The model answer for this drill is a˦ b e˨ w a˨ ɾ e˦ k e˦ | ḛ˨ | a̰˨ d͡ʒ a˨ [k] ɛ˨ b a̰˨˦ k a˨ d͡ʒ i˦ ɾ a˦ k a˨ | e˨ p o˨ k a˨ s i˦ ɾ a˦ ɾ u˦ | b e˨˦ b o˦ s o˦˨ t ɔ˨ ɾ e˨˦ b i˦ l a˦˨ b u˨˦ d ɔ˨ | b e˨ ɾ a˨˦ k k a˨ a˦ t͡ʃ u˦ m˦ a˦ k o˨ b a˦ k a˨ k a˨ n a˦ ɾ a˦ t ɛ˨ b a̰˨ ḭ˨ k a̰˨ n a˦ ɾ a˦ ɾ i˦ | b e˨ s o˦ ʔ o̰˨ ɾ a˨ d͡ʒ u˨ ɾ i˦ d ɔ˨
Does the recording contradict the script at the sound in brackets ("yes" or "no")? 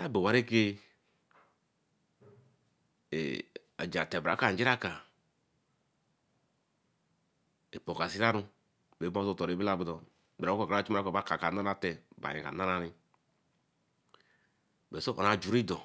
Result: yes